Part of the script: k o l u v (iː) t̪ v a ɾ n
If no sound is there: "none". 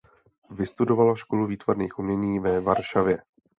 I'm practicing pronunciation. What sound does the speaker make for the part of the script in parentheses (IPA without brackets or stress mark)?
iː